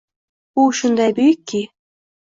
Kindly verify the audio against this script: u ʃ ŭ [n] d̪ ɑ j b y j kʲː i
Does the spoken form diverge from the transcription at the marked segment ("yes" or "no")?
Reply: no